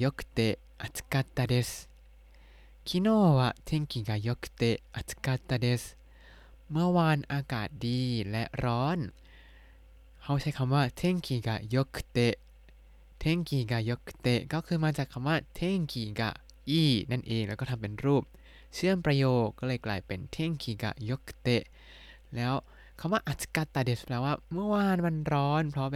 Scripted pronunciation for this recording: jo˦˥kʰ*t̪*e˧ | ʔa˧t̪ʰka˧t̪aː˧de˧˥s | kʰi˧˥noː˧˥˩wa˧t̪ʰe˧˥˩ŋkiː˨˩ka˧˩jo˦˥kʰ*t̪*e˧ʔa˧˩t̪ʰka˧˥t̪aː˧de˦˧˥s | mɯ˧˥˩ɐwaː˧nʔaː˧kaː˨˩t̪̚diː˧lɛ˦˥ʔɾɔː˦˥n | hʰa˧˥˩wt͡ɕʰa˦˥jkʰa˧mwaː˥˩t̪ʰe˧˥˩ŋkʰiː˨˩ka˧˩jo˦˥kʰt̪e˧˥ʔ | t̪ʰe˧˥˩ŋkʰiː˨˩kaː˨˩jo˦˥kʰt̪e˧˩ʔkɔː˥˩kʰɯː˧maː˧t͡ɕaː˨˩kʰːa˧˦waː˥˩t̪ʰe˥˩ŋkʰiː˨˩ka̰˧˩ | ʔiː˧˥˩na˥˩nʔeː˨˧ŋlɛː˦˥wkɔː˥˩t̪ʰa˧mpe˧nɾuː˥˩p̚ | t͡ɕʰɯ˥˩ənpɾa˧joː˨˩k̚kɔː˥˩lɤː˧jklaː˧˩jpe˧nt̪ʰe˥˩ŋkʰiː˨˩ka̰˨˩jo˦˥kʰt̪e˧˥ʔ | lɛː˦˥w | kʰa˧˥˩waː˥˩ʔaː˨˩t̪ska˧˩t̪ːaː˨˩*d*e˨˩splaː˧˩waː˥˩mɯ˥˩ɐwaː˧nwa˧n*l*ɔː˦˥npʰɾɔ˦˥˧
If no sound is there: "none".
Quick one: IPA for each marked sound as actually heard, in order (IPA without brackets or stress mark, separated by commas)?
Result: t̪, t̪, d, ɾ